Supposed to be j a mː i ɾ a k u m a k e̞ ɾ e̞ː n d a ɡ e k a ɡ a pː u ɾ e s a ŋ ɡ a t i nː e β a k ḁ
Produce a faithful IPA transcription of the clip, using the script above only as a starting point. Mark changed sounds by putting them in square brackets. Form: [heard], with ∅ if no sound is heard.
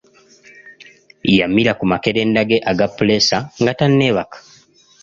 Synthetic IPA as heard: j a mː i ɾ a k u m a k e̞ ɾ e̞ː n d a ɡ e [ʔ] a ɡ a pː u [l] e s a ŋ ɡ a t [a] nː e β a k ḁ